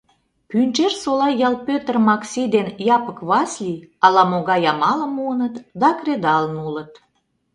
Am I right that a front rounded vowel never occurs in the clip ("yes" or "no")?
no